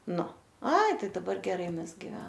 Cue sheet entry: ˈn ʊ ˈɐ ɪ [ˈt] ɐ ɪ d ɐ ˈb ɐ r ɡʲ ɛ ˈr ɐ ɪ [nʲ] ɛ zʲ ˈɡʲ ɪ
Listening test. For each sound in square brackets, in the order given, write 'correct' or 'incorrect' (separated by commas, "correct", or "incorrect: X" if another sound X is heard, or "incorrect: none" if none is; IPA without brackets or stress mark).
correct, incorrect: mʲ